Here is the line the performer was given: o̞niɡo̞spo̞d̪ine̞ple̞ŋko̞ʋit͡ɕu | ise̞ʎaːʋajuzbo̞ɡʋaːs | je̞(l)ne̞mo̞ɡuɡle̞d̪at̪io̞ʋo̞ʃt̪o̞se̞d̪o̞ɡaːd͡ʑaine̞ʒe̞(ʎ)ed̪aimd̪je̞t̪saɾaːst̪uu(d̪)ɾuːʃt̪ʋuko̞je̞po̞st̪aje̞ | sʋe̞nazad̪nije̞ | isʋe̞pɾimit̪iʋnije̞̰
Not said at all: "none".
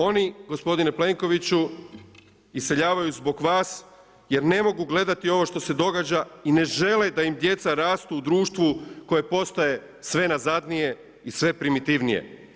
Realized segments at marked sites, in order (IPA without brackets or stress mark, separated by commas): ɾ, l, d̪